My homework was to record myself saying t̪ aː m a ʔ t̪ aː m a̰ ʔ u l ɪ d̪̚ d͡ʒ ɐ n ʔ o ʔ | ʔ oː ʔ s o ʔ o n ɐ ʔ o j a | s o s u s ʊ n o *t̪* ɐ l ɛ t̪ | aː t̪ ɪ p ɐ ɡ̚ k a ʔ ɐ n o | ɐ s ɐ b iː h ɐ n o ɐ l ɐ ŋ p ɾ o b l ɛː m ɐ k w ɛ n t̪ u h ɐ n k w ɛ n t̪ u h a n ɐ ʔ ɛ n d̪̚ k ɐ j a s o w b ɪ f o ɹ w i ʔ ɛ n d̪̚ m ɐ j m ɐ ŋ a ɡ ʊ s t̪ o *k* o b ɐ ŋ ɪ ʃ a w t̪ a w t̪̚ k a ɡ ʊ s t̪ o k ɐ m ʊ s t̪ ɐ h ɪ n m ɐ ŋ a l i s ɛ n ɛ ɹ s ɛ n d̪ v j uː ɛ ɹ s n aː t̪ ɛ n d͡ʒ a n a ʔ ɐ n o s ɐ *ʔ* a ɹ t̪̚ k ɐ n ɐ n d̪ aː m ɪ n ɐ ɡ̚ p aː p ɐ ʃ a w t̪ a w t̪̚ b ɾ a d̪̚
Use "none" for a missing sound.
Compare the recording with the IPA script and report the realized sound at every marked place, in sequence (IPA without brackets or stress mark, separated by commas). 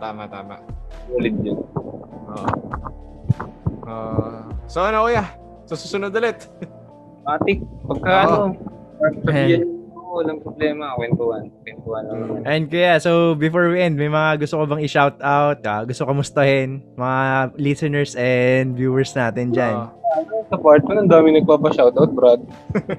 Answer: d̪, k, p